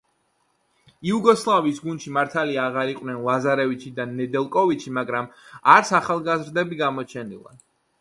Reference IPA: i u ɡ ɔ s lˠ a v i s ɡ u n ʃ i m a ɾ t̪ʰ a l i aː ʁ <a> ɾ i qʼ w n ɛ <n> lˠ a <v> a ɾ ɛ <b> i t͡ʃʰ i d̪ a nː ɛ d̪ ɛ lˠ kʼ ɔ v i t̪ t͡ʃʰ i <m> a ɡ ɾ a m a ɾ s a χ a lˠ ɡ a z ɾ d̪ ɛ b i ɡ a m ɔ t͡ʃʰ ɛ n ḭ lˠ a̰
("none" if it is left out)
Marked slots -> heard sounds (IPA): a, n, z, v, m

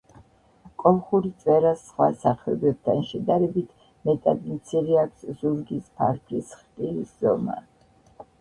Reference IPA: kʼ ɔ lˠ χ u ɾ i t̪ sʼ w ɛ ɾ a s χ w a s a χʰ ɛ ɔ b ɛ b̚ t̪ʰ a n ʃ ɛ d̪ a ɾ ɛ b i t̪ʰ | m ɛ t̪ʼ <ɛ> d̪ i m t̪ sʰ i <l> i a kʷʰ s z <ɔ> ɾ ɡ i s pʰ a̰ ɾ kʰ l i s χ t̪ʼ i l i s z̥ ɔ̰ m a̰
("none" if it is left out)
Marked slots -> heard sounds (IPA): a, ɾ, u

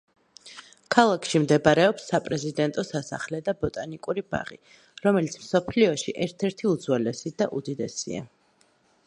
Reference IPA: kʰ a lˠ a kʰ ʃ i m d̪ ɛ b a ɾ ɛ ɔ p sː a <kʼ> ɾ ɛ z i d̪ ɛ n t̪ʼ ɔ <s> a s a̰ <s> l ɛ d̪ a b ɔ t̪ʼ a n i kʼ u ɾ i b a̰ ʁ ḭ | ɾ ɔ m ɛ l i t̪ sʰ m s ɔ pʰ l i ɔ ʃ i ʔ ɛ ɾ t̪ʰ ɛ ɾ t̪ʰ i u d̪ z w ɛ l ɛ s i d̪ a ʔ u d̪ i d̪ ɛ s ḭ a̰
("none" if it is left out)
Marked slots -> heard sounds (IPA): pʼ, s, χ

